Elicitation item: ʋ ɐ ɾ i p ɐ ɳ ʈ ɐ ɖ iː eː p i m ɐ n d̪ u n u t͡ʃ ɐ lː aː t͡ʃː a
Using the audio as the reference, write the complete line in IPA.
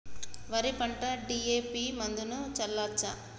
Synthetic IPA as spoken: ʋ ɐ ɾ i p ɐ ɳ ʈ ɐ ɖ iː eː p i m ɐ n d̪ u n u t͡ʃ ɐ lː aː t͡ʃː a